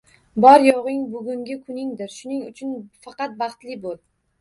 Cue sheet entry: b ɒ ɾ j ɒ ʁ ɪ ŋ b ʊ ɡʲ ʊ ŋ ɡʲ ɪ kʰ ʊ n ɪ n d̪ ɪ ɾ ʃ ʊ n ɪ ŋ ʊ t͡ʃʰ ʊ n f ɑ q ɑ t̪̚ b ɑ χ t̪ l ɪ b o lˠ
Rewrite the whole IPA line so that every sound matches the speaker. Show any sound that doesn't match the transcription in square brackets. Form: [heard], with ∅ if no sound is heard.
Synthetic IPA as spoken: b ɒ ɾ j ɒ ʁ ɪ ŋ b ʊ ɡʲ ʊ ŋ ɡʲ ɪ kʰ ʊ n ɪ [ŋ] d̪ ɪ ɾ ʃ ʊ n ɪ ŋ ʊ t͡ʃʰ ʊ n f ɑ q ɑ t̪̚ b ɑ χ t̪ l ɪ b o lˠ